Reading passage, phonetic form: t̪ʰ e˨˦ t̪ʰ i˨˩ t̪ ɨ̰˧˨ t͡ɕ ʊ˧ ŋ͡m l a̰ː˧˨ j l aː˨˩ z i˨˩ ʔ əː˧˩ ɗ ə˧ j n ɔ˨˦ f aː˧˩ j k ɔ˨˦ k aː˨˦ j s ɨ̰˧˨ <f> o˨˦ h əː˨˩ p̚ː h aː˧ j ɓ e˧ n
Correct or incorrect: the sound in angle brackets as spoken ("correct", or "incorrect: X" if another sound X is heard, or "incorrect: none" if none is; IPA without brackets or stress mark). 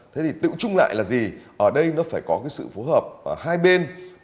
correct